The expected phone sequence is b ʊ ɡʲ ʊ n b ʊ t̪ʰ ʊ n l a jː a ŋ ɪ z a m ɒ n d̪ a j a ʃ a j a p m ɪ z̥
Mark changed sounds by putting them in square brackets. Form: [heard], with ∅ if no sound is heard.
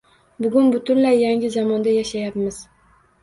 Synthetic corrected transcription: b ʊ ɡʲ ʊ n b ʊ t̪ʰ ʊ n l a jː a ŋ ɪ z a m ɒ n d̪ a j a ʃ a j a p m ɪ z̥